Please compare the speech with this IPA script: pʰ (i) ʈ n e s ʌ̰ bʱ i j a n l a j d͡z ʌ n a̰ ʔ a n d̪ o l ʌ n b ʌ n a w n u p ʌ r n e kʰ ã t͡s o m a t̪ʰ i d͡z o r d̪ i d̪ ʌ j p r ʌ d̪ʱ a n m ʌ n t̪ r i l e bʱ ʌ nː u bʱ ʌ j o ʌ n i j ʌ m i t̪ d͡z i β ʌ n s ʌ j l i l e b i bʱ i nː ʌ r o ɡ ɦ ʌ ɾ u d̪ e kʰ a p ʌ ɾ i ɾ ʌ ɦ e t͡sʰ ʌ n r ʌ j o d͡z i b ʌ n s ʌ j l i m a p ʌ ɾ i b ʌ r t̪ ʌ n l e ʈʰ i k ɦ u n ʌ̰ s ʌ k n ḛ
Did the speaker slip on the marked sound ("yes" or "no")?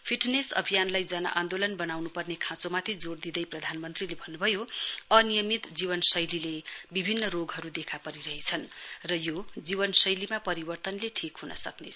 no